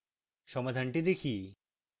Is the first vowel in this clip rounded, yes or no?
yes